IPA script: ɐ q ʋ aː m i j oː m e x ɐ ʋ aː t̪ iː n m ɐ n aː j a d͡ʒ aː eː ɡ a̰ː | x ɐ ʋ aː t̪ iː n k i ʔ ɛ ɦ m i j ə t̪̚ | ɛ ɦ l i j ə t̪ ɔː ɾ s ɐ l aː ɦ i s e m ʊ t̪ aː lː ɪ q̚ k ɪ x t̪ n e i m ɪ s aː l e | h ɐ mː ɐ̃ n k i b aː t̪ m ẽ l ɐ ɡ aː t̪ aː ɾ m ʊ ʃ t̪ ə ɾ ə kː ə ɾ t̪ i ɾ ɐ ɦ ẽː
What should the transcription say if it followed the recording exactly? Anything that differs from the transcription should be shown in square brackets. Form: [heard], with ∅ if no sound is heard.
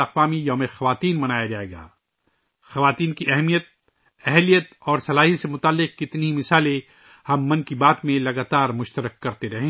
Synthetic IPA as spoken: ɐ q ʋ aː m i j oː m e x ɐ ʋ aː t̪ iː n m ɐ n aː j a d͡ʒ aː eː ɡ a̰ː | x ɐ ʋ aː t̪ iː n k i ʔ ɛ ɦ m i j ə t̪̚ | ɛ ɦ l i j ə t̪ ɔː ɾ s ɐ l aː ɦ i s e m ʊ t̪ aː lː ɪ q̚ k ɪ [∅] t̪ n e i m ɪ s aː l e | h ɐ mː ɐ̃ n k i b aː t̪ m ẽ l ɐ ɡ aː t̪ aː ɾ m ʊ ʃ t̪ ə ɾ ə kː [ɐ] ɾ t̪ [e] ɾ ɐ ɦ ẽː

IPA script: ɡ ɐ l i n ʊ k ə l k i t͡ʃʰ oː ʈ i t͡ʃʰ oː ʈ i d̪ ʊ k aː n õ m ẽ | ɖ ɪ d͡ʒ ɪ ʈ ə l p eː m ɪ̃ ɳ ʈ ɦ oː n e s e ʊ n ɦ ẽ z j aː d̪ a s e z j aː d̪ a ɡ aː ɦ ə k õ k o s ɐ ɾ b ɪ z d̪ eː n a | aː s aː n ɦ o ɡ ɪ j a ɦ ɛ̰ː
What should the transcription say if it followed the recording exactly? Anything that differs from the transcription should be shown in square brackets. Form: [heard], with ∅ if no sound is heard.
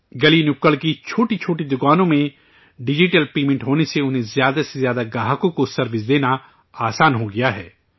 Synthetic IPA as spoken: ɡ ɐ l i n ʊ k ə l k i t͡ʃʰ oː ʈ i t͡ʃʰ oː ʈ i d̪ ʊ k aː n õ m ẽ | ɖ ɪ d͡ʒ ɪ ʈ ə l p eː m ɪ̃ ɳ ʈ ɦ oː n e s e ʊ n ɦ ẽ z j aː d̪ a s e z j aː d̪ a ɡ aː ɦ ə k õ k o s ɐ ɾ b ɪ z d̪ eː n a | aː s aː n ɦ o ɡ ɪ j a ɦ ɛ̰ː

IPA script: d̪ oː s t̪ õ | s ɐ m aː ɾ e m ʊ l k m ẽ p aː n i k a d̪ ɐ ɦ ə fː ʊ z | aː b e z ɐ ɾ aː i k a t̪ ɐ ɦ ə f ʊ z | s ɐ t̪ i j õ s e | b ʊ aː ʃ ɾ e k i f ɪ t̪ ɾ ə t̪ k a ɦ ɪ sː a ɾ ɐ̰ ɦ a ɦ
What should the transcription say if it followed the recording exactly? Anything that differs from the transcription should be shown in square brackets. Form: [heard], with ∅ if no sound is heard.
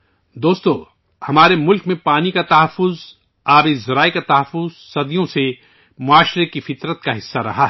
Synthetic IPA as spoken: d̪ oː s t̪ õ | [h] ɐ m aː ɾ e m ʊ l k m ẽ p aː n i k a [t̪] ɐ ɦ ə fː ʊ z | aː b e z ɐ ɾ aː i k a t̪ ɐ ɦ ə f ʊ z | s ɐ [d̪] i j õ s e | [m] ʊ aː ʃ ɾ e k i f ɪ t̪ ɾ ə t̪ k a ɦ ɪ sː a ɾ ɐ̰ ɦ a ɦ

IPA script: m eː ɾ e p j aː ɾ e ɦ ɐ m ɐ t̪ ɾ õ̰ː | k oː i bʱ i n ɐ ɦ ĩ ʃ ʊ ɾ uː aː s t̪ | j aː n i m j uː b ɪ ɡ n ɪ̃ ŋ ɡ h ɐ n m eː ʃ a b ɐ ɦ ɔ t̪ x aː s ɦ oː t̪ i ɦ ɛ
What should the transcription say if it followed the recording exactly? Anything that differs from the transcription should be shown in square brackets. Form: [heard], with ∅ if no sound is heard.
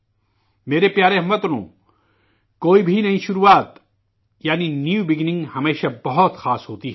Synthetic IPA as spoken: m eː ɾ e p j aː ɾ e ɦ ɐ m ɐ t̪ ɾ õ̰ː | k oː i bʱ i n ɐ ɦ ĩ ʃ ʊ ɾ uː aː [∅] t̪ | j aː n i [n] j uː b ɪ ɡ n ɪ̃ ŋ ɡ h ɐ [∅] m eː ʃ a b ɐ ɦ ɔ t̪ x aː s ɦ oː t̪ i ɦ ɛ

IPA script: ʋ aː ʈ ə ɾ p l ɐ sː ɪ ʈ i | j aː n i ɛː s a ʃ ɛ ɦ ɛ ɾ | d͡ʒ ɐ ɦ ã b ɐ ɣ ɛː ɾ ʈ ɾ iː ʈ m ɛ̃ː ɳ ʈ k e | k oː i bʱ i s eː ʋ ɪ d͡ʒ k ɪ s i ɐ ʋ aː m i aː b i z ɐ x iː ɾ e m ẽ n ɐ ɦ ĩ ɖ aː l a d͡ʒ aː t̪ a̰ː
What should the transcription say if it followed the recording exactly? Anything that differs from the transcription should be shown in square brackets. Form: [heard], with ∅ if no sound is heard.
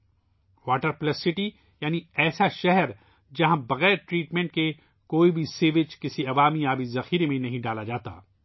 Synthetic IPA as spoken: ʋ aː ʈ ə ɾ p l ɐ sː ɪ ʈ i | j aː n i ɛː s a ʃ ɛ ɦ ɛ ɾ | d͡ʒ ɐ ɦ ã b ɐ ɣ ɛː ɾ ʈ ɾ iː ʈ m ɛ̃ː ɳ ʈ k e | k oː i bʱ i s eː ʋ ɪ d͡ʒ k ɪ s i ɐ ʋ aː m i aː b i z ɐ x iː ɾ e m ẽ n ɐ ɦ ĩ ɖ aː l a d͡ʒ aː t̪ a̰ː

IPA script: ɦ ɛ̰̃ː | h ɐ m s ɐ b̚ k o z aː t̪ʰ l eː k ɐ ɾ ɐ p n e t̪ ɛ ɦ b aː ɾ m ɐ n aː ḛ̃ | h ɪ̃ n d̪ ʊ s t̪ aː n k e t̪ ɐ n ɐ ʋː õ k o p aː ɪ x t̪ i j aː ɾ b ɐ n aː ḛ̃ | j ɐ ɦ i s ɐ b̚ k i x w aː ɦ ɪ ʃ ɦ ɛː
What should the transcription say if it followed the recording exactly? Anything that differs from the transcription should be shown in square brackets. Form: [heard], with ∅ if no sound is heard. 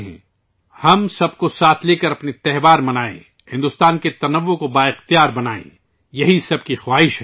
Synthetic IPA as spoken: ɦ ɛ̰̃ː | h ɐ m s ɐ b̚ k o [s] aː t̪ʰ l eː k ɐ ɾ ɐ p n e t̪ ɛ ɦ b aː ɾ m ɐ n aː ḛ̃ | h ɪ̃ n d̪ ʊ s t̪ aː n k e t̪ ɐ n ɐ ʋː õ k o [b] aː ɪ x t̪ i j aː ɾ b ɐ n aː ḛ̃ | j ɐ ɦ i s ɐ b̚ k i x w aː ɦ ɪ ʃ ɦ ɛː

